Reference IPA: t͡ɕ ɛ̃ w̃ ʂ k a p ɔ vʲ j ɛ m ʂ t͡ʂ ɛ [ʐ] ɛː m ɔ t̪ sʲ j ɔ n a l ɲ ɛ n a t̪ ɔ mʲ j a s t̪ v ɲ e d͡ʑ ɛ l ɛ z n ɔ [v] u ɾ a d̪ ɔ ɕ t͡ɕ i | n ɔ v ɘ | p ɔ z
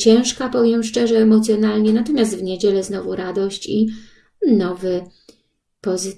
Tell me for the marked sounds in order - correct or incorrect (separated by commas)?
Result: correct, correct